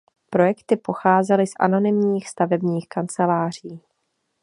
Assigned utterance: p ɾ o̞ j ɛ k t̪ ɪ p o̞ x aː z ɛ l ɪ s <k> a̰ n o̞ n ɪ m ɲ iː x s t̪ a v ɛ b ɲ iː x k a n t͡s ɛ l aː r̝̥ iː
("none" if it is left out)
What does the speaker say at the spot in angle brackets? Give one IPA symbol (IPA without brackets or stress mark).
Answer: ʔ